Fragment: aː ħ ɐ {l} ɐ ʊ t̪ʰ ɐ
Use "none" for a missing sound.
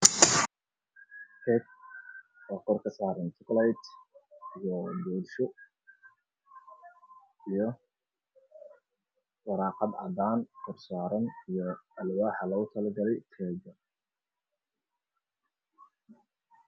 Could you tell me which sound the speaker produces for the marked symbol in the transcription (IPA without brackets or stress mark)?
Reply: l